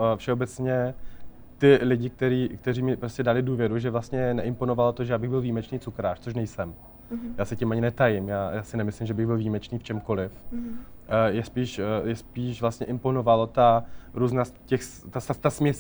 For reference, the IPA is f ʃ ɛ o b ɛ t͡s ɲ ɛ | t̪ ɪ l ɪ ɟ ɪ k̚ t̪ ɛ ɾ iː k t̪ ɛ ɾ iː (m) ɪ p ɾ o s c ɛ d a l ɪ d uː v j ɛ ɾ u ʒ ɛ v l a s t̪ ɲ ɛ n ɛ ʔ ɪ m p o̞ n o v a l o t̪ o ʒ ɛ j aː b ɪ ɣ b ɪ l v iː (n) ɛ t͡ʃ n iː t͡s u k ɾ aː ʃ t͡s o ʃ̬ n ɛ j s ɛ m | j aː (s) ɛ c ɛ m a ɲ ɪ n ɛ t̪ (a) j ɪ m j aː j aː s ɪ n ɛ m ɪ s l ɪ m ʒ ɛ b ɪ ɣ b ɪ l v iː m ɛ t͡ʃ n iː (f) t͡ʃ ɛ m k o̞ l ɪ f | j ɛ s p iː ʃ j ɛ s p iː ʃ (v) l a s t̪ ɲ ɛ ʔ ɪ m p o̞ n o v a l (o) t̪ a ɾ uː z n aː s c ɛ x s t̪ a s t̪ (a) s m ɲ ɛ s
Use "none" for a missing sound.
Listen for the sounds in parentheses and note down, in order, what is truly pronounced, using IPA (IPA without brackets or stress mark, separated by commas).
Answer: m, m, s, a, f, v, o, a